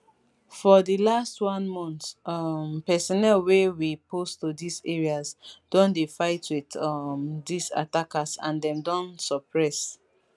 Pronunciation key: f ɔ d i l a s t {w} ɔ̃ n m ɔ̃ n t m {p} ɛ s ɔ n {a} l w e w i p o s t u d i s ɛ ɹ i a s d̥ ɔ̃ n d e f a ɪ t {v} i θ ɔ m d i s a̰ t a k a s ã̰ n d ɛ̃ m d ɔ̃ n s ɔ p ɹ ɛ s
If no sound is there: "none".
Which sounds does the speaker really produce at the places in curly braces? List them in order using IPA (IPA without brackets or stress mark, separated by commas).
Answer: w, p, ɛ, w